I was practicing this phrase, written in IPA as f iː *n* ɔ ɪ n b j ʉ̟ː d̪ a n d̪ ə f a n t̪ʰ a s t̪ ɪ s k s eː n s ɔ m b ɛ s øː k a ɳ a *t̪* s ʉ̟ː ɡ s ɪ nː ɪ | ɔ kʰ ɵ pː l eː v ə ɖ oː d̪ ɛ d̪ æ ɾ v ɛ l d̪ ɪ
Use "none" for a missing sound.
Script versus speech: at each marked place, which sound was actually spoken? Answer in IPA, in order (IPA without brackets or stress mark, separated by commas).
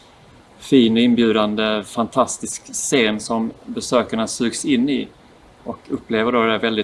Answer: n, none